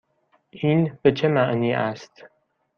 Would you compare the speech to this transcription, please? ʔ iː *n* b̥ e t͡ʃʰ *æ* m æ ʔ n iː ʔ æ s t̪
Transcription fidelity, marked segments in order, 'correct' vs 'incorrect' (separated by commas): correct, incorrect